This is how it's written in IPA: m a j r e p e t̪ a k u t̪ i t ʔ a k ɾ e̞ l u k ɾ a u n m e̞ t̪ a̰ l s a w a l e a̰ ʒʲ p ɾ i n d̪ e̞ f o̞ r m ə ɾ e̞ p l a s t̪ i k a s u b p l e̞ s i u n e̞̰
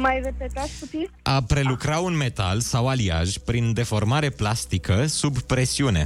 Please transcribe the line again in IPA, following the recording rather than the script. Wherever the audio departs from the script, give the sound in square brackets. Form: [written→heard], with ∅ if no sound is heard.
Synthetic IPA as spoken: m a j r e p e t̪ a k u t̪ i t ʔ a [k→p] ɾ e̞ l u k ɾ a u n m e̞ t̪ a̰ l s a w a l [e→i] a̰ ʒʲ p ɾ i n d̪ e̞ f o̞ r m [ə→a] ɾ e̞ p l a s t̪ i k [a→ə] s u b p [l→ɾ] e̞ s i u n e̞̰